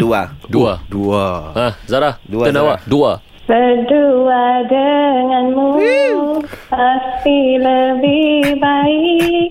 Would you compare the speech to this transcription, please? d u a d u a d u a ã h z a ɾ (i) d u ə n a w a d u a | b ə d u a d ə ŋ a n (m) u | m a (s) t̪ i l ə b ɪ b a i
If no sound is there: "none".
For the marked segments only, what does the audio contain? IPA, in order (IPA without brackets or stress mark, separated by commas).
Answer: a, m, s